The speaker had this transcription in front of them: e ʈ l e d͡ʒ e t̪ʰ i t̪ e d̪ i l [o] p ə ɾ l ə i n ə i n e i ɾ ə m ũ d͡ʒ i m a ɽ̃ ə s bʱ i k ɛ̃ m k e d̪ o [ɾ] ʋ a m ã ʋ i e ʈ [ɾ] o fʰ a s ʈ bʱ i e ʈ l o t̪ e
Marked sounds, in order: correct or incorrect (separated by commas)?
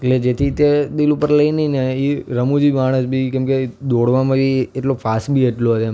incorrect, incorrect, incorrect